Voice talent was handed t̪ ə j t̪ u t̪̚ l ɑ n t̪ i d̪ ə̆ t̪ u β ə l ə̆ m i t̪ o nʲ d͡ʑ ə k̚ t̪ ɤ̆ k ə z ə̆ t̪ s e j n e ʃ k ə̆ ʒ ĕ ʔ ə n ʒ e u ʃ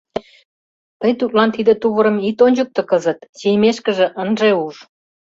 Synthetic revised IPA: t̪ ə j t̪ u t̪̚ l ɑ n t̪ i d̪ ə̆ t̪ u β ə ɾ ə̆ m i t̪ o nʲ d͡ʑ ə k̚ t̪ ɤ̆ k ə z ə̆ t̪ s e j m e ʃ k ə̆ ʒ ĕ ʔ ə n ʒ e u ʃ